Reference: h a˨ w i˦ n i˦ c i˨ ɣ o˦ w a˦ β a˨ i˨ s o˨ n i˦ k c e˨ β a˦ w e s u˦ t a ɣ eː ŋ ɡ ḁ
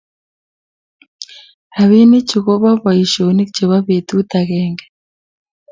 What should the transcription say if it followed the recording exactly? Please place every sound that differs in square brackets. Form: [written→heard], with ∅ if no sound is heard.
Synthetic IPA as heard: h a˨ [w→β] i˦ n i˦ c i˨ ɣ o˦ [w→β] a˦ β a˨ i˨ [s→ʃ] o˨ n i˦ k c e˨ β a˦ [w→β] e [s→t] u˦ t a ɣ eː ŋ ɡ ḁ